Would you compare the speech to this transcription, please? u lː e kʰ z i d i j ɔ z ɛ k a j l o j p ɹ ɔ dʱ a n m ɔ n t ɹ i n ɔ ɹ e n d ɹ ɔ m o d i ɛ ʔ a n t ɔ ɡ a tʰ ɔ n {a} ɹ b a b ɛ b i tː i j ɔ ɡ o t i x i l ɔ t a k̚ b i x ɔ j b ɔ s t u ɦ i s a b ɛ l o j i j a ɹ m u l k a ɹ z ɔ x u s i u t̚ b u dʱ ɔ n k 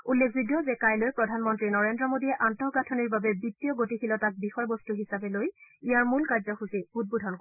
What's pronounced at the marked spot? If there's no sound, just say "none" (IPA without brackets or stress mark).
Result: i